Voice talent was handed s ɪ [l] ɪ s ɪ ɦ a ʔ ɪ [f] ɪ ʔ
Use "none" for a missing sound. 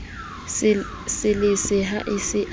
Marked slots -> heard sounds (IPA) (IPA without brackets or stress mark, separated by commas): l, s